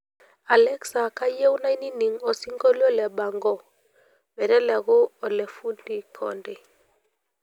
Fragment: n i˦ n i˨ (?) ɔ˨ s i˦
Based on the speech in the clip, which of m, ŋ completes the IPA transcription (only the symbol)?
ŋ